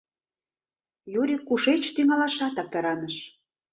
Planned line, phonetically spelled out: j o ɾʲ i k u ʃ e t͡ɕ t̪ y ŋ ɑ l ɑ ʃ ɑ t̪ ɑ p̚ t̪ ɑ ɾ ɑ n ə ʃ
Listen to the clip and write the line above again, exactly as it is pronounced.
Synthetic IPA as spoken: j u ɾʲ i k u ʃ e t͡ɕ t̪ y ŋ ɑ l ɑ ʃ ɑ t̪ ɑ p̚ t̪ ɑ ɾ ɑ n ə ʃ